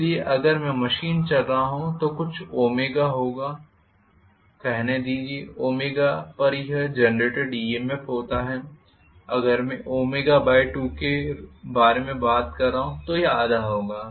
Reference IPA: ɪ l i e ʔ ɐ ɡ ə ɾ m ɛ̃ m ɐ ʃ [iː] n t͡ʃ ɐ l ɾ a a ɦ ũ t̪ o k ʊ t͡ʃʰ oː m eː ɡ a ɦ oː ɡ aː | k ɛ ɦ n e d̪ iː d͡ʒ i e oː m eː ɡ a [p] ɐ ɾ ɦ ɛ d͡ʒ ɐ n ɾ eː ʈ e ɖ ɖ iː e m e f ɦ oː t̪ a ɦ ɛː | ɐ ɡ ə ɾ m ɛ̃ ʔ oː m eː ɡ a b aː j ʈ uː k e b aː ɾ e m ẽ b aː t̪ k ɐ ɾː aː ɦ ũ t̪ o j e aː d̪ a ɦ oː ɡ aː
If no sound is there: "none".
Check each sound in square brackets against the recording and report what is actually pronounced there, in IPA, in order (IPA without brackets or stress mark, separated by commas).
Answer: iː, p